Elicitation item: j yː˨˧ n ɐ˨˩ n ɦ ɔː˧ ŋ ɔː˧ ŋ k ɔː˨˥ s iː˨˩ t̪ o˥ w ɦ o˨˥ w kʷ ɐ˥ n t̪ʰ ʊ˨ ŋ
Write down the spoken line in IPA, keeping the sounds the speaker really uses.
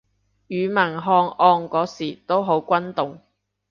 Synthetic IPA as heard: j yː˨˧ m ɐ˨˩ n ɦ ɔː˧ ŋ ɔː˧ ŋ k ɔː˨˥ s iː˨˩ t̪ o˥ w ɦ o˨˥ w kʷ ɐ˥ n t̪ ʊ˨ ŋ